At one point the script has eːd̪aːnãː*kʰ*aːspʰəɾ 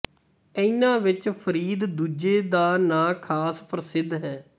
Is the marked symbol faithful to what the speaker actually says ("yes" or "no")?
yes